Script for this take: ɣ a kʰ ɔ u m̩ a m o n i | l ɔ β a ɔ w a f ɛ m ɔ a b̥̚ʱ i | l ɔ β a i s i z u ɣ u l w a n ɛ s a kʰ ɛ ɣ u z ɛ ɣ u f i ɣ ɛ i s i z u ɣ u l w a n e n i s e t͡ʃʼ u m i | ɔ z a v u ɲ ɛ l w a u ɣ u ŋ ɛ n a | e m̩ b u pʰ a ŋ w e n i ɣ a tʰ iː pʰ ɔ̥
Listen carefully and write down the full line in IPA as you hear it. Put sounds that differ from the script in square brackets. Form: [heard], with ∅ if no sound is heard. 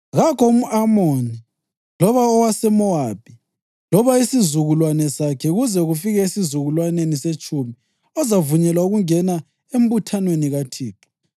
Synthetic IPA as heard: ɣ a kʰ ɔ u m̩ a m o n i | l ɔ β a ɔ w a [s] ɛ m ɔ a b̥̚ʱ i | l ɔ β a i s i z u ɣ u l w a n ɛ s a kʰ ɛ ɣ u z ɛ ɣ u f i ɣ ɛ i s i z u ɣ u l w a n e n i s e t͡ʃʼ u m i | ɔ z a v u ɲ ɛ l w a u ɣ u ŋ ɛ n a | e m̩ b u [tʰ] a [n] w e n i ɣ a tʰ iː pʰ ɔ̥